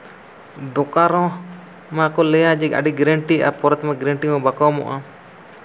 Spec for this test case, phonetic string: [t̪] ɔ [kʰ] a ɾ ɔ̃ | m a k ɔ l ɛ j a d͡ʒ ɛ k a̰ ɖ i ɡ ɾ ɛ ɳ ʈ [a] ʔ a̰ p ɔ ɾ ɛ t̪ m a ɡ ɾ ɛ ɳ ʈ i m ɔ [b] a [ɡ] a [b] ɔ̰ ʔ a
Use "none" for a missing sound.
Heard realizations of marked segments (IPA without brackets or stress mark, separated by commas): d̪, k, i, b, k, m